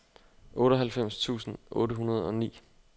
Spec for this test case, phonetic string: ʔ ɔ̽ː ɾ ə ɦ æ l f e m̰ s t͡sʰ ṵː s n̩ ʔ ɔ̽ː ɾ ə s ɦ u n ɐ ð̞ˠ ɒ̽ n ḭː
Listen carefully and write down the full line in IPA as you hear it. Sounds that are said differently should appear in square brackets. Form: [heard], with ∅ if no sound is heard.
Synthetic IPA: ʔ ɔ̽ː ɾ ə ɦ æ l f e m̰ s t͡sʰ ṵː s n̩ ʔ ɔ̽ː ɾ ə [∅] ɦ u n ɐ ð̞ˠ ɒ̽ n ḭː